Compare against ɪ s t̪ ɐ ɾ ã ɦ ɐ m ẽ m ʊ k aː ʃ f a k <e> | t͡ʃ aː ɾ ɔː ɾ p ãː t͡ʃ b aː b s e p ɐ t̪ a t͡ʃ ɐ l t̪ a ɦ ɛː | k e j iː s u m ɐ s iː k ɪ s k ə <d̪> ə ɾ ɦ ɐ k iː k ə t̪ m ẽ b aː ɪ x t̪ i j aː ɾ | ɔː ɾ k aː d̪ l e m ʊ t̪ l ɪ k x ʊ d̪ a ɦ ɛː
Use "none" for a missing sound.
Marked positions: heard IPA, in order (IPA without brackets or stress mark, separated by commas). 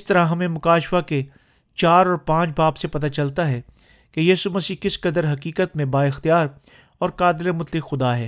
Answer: e, d̪